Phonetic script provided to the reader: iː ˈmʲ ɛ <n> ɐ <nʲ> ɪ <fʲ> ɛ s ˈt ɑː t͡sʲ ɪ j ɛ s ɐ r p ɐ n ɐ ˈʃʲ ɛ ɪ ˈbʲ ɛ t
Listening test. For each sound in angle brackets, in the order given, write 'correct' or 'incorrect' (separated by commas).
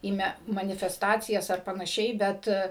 incorrect, correct, correct